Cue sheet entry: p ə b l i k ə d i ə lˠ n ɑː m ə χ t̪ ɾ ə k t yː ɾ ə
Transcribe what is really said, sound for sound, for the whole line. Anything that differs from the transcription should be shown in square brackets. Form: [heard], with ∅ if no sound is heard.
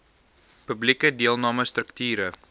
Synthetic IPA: p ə b l i k ə d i ə lˠ n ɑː m ə [s] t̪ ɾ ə k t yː ɾ ə